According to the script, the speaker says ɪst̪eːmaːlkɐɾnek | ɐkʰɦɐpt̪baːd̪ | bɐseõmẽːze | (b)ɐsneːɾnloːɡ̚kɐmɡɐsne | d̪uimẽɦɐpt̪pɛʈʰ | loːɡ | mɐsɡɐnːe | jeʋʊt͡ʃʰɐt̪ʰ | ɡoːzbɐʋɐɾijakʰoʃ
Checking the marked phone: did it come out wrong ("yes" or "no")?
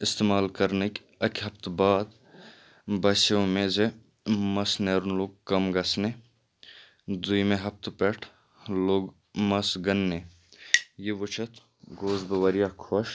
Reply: yes